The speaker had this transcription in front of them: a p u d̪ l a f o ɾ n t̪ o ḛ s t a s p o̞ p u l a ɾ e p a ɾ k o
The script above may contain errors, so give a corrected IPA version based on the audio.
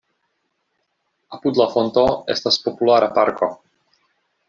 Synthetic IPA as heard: a p u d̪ l a f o n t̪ o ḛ s t a s p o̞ p u l a ɾ a p a ɾ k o